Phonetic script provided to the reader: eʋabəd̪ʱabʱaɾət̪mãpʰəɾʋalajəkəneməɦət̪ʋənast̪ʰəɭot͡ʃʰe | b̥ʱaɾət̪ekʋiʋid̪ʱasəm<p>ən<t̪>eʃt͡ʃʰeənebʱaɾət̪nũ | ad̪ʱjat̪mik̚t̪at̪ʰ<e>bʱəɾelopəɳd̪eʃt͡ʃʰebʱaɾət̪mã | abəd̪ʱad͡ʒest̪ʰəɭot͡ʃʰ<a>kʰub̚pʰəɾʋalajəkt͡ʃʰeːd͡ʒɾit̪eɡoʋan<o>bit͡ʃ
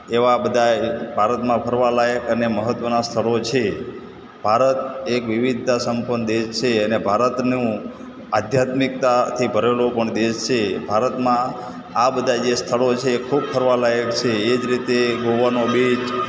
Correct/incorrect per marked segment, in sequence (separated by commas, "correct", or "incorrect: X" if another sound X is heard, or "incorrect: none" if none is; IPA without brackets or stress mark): correct, incorrect: d̪, incorrect: i, incorrect: e, correct